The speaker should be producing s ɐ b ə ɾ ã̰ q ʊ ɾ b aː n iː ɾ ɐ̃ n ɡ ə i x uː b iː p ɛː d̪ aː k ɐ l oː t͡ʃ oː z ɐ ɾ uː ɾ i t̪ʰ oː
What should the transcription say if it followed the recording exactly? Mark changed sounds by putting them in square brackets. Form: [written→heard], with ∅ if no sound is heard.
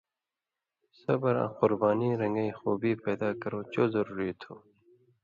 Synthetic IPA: s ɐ b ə ɾ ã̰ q ʊ ɾ b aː n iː ɾ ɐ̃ [n→ŋ] ɡ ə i x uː b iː p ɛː d̪ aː k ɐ [l→ɾ] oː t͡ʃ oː z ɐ ɾ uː ɾ i t̪ʰ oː